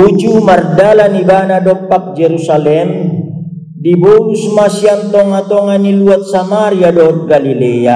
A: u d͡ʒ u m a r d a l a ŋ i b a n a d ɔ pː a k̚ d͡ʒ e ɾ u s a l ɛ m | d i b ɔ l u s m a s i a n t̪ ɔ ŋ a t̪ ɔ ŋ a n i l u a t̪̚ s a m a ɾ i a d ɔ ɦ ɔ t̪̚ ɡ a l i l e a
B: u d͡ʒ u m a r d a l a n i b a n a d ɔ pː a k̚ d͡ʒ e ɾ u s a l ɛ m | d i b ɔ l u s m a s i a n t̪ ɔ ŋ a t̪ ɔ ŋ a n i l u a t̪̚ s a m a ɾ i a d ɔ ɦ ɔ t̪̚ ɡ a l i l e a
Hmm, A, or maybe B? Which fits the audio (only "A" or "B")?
B